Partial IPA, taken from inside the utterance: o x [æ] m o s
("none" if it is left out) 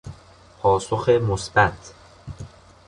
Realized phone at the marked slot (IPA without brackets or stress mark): e